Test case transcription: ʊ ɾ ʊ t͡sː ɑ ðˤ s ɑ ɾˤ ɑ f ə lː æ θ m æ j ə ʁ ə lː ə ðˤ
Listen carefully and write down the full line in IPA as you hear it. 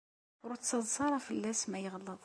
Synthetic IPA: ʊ ɾ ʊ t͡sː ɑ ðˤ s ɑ ɾˤ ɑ f ə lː æ s m æ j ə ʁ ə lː ə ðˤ